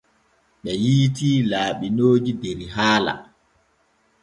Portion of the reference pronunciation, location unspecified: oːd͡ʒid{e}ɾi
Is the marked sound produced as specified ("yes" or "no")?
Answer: yes